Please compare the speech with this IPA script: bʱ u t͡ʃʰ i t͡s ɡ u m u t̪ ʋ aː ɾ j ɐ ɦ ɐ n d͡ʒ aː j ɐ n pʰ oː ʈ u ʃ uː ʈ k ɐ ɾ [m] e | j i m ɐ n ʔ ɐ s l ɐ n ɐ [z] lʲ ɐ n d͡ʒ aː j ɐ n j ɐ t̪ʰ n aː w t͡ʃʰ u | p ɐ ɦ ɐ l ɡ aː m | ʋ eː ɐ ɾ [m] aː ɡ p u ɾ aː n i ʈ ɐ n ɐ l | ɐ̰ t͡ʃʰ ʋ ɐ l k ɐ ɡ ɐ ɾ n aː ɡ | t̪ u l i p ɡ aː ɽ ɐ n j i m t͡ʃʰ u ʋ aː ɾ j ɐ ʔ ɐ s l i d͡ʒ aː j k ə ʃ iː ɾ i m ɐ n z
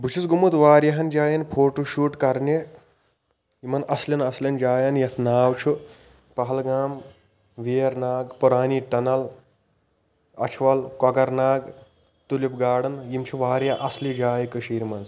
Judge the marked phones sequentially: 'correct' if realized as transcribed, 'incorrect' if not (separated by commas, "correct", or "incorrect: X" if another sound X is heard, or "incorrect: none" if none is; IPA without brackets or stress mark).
incorrect: n, incorrect: s, incorrect: n